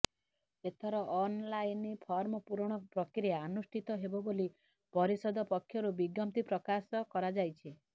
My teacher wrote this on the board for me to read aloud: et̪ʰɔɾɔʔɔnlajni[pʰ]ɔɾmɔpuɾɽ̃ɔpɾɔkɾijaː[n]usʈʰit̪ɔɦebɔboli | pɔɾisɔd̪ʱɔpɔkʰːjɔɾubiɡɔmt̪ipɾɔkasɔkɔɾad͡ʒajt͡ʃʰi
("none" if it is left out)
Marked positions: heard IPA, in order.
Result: pʰ, n

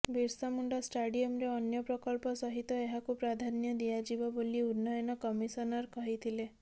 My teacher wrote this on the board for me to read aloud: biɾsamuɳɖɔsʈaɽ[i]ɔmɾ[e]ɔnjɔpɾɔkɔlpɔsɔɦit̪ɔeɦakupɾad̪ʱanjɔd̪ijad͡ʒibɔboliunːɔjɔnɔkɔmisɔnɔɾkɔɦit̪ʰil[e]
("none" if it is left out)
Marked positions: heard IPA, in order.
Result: i, e, e

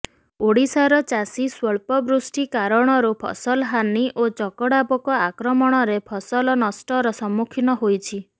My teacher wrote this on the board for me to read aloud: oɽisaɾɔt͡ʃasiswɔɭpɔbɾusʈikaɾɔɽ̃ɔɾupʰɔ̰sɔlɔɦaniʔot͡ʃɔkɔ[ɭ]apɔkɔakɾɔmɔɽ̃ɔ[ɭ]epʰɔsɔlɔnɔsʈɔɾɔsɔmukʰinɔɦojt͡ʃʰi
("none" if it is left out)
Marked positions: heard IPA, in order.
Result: ɽ, ɾ

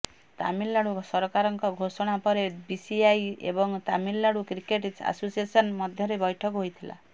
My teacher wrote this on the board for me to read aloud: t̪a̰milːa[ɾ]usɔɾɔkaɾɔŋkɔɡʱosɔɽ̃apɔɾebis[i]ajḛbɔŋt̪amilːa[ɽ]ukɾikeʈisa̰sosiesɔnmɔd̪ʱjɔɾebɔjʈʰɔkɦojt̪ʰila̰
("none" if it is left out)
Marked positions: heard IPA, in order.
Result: ɽ, i, ɽ

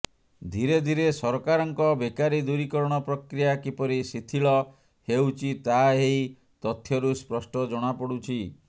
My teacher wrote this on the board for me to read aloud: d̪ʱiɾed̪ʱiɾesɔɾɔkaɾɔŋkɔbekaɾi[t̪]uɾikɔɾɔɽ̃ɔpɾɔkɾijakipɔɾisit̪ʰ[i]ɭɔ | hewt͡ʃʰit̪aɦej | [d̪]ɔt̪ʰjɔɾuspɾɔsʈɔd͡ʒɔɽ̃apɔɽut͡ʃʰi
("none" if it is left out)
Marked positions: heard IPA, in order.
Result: d̪, i, t̪

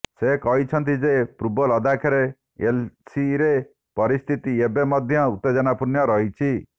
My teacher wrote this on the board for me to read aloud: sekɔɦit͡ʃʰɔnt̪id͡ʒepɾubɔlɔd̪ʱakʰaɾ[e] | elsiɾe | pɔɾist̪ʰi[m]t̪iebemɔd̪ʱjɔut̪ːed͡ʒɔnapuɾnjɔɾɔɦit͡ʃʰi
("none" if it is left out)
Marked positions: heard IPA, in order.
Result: e, none

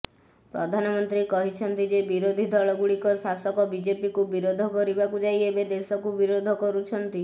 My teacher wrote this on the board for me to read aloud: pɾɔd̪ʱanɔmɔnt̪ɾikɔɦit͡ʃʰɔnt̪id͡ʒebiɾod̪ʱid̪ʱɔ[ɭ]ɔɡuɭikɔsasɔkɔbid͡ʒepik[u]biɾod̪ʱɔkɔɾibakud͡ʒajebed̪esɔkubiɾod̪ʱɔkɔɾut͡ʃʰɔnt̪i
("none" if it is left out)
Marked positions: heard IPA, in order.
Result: ɭ, u

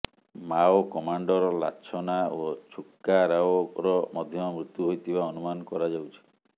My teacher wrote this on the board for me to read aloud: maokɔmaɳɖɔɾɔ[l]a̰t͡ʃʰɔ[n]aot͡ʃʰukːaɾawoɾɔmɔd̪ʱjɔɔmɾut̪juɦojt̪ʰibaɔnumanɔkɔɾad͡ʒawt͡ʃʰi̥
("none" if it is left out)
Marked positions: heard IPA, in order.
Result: l, n

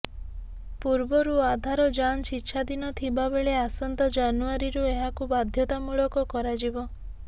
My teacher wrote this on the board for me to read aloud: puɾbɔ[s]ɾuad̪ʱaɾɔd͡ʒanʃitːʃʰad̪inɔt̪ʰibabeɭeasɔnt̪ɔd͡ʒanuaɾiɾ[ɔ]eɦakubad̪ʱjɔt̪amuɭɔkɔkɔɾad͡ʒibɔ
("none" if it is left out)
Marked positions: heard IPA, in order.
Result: none, u

